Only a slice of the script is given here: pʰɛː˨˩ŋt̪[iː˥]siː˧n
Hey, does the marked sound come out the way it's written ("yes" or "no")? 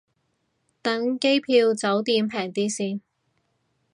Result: yes